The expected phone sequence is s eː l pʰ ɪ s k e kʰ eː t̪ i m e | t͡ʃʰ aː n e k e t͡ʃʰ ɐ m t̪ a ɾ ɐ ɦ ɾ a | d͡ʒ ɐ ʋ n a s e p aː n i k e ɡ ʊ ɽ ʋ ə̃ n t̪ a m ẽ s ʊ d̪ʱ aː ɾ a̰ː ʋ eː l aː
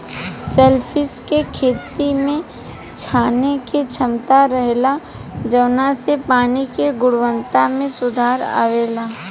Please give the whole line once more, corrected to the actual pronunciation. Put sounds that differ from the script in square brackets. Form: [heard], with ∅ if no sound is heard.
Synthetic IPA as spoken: s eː l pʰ ɪ s k e kʰ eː t̪ i m [ẽ] | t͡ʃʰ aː n e k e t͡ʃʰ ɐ m t̪ a ɾ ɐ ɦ [l] a | d͡ʒ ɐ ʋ n a s e p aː n i k e ɡ ʊ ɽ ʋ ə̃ n t̪ a m ẽ s ʊ d̪ʱ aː ɾ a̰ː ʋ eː l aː